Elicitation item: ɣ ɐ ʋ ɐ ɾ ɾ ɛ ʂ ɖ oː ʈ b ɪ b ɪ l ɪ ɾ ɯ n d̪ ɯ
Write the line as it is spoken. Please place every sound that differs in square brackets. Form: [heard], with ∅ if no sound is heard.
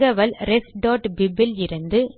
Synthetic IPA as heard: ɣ ɐ ʋ ɐ [l] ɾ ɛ [s] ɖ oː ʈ b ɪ b ɪ l ɪ ɾ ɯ n d̪ ɯ